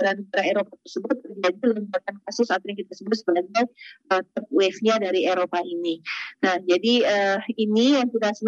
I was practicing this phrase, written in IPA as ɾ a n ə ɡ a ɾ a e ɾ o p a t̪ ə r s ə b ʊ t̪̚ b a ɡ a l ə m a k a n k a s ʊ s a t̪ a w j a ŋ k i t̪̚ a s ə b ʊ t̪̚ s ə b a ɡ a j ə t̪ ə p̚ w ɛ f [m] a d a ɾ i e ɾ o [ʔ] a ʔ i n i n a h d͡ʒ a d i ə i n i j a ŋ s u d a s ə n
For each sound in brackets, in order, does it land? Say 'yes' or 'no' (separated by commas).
no, no